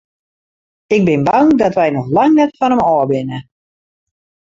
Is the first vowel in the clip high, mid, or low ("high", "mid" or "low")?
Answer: high